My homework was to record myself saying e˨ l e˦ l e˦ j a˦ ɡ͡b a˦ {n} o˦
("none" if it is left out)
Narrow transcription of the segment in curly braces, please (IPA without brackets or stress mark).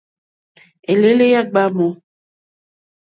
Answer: m